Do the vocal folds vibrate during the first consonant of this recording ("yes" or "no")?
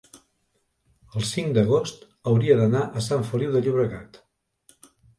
yes